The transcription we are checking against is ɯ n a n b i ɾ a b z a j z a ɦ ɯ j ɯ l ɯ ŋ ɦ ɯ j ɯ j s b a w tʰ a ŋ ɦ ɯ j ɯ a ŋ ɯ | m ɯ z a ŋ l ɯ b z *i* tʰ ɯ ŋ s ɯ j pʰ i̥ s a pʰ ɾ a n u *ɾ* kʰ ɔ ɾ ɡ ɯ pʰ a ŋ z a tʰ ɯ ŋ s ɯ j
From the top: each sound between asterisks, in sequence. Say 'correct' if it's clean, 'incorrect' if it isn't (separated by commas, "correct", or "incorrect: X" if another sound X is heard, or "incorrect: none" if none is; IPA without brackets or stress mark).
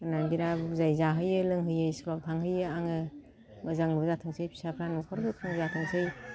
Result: incorrect: a, incorrect: none